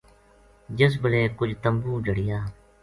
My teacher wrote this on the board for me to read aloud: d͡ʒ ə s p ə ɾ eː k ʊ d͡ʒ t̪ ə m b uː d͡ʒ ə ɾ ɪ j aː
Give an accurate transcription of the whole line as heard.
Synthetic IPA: d͡ʒ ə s b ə l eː k ʊ d͡ʒ t̪ ə m b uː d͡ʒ ə ɽ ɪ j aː